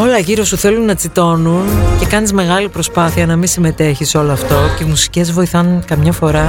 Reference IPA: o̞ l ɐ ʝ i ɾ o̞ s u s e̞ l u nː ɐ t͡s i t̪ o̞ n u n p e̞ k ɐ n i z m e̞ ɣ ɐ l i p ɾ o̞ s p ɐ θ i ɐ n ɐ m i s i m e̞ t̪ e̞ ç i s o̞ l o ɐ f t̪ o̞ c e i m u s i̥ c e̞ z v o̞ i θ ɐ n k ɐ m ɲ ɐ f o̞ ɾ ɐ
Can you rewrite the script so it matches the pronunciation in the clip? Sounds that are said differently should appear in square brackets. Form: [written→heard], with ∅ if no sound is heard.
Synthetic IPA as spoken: o̞ l ɐ ʝ i ɾ o̞ s u [s→θ] e̞ l u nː ɐ t͡s i t̪ o̞ n u n [p→c] e̞ k ɐ n i z m e̞ ɣ ɐ l i p ɾ o̞ s p ɐ θ i ɐ n ɐ m i s i m e̞ t̪ e̞ ç i s o̞ l o ɐ f t̪ o̞ c e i m u s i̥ c e̞ z v o̞ i θ ɐ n k ɐ m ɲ ɐ f o̞ ɾ ɐ